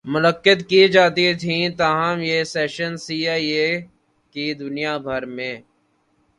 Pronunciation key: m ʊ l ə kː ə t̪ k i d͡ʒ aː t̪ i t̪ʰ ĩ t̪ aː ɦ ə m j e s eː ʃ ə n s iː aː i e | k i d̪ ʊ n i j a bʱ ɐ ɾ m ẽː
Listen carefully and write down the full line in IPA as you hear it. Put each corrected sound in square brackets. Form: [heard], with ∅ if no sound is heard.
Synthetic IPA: m ʊ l ə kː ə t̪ k i d͡ʒ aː t̪ i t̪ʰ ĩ t̪ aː ɦ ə m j e s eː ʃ ə n s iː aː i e | k i d̪ ʊ n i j a bʱ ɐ ɾ m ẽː